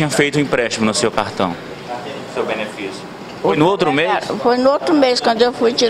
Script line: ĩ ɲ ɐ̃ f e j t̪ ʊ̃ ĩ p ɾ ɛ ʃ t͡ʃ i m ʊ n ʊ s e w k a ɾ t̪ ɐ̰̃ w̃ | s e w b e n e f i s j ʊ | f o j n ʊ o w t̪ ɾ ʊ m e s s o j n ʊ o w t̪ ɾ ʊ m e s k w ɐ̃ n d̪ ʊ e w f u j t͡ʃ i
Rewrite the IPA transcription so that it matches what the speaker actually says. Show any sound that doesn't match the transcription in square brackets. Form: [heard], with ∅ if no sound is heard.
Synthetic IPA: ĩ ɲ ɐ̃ f e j t̪ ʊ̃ ĩ p ɾ ɛ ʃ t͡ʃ i m ʊ n ʊ s e w k a ɾ t̪ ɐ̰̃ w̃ | s e w b e n e f i s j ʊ | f o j n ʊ o w t̪ ɾ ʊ m e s [f] o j n ʊ o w t̪ ɾ ʊ m e s k w ɐ̃ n d̪ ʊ e w f u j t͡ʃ i